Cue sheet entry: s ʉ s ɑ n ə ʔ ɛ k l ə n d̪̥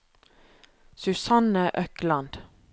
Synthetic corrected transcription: s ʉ s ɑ n ə ʔ œ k l ɑ n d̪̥